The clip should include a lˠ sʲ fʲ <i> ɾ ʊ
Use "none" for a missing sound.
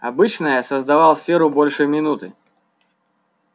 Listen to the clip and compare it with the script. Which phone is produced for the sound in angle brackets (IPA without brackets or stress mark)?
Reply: e